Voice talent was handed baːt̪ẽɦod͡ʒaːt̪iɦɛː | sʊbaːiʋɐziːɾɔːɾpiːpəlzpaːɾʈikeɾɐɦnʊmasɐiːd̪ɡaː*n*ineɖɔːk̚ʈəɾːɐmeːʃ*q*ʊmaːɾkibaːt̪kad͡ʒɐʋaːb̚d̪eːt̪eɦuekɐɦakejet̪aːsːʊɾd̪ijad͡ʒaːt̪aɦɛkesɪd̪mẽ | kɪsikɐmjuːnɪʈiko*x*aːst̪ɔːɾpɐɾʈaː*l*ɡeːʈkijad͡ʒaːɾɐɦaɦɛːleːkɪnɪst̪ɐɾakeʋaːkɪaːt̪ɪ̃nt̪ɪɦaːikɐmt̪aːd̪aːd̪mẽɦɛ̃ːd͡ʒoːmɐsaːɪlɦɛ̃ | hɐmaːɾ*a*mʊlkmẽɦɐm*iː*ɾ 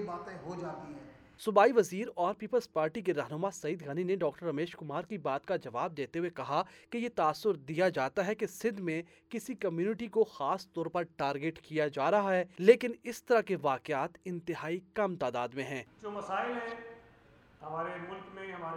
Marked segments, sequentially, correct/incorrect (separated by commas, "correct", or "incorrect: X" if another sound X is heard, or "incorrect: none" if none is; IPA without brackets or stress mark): correct, incorrect: k, correct, incorrect: ɾ, incorrect: e, incorrect: aː